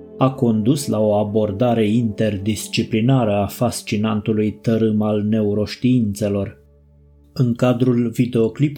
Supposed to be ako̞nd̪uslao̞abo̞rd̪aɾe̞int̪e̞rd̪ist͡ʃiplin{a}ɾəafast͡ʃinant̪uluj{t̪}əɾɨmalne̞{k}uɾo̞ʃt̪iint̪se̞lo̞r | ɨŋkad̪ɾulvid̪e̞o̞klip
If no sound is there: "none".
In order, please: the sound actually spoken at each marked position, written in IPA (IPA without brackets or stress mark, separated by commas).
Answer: a, t̪, none